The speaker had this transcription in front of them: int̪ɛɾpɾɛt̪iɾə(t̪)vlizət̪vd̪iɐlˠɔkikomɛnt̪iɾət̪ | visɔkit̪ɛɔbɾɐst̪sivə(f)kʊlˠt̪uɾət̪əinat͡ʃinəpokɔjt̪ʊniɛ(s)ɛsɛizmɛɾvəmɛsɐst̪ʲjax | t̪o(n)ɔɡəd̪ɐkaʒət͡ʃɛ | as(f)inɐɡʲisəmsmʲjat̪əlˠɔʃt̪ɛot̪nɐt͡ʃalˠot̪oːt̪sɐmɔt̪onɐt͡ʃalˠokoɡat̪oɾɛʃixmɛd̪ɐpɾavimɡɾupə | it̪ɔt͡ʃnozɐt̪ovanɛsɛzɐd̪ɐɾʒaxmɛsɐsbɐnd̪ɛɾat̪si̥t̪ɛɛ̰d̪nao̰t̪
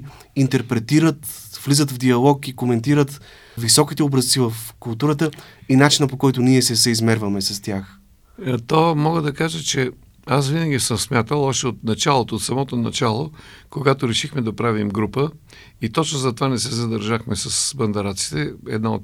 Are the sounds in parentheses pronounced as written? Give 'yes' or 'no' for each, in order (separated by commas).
yes, yes, yes, no, no